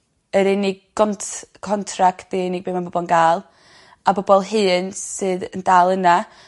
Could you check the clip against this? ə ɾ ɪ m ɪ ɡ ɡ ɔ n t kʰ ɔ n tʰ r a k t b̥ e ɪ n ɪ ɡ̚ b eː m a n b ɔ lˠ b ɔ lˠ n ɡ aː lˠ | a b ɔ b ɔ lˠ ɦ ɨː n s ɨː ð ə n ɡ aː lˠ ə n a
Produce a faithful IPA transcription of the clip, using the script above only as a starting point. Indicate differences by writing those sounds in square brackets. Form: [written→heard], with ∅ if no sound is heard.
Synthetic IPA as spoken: ə ɾ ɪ [m→n] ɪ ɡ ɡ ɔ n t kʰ ɔ n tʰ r a k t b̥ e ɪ n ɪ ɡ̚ b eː m a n b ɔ [lˠ→∅] b ɔ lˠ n ɡ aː lˠ | a b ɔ b ɔ lˠ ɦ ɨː n s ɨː ð ə n [ɡ→d] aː lˠ ə n a